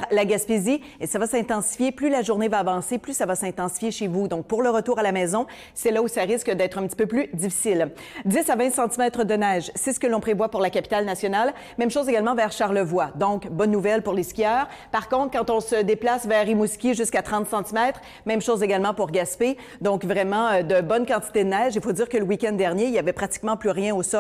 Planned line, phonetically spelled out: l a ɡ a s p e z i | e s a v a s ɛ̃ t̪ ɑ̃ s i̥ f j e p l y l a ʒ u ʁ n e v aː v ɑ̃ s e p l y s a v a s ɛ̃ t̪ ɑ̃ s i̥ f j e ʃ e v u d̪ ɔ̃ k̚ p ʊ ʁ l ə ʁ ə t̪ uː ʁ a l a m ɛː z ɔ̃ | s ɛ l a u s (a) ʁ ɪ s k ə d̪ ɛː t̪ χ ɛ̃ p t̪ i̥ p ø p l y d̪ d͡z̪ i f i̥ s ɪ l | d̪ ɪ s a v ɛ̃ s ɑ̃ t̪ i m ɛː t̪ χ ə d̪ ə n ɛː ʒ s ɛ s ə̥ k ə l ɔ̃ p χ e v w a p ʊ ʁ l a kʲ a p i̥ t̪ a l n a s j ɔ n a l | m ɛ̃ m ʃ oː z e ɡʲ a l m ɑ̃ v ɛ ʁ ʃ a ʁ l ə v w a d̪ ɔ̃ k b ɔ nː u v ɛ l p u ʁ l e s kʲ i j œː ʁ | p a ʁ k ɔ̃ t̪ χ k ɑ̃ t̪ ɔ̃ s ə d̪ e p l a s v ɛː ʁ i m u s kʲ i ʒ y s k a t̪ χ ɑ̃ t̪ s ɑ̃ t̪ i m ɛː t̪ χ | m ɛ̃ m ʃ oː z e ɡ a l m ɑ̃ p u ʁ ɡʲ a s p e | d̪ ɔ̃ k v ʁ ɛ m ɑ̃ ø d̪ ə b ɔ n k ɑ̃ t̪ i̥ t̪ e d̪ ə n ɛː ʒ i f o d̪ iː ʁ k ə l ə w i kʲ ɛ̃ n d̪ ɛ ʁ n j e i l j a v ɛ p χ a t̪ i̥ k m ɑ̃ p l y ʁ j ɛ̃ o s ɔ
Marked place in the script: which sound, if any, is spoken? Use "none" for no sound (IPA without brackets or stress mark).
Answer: a